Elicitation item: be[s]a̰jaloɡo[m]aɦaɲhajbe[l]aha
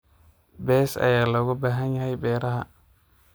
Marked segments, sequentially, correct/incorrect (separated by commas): correct, incorrect, incorrect